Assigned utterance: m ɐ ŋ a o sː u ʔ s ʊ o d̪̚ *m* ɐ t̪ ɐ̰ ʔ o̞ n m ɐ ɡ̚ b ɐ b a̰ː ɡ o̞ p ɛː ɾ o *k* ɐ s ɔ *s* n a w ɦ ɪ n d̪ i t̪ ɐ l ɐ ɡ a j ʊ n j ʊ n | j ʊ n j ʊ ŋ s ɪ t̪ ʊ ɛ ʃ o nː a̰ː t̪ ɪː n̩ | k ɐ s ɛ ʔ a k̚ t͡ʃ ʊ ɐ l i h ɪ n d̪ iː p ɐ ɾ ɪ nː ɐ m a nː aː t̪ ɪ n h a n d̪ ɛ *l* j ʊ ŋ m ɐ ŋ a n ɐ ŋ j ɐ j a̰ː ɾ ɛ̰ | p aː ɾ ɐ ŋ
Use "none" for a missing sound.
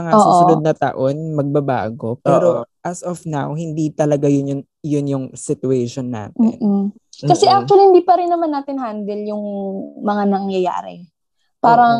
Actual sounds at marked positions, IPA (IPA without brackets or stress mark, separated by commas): n, ʔ, f, l